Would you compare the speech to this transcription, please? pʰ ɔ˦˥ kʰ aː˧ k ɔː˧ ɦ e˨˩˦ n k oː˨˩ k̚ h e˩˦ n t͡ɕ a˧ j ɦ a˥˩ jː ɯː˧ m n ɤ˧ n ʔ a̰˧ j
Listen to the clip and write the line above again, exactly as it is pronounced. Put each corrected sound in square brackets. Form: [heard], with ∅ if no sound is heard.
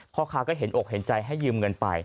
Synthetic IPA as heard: pʰ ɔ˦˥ kʰ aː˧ k [ɔː˥˩] ɦ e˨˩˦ n [ʔ] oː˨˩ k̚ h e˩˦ n t͡ɕ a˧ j ɦ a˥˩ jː ɯː˧ m [ŋ] ɤ˧ n [p] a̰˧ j